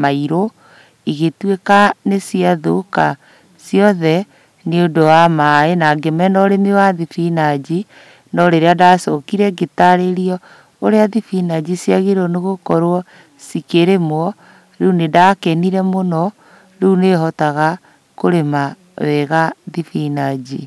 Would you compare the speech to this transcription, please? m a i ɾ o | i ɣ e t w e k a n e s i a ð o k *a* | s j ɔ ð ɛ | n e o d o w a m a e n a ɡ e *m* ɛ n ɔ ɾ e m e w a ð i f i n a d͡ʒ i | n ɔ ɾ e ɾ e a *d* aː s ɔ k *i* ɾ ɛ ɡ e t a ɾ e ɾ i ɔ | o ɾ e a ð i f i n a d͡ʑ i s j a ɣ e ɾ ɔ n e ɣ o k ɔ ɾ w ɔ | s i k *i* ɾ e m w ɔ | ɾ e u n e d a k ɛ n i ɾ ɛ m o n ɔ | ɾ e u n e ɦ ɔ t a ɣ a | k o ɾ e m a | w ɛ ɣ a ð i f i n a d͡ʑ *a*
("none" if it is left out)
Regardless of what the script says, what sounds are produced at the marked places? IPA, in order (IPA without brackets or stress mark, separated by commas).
a, m, d, i, e, i